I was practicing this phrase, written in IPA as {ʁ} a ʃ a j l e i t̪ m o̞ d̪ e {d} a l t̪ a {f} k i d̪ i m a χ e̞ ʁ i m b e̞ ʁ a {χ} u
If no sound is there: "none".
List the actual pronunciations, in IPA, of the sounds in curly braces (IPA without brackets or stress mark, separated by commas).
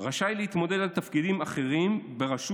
ʁ, d, f, ʃ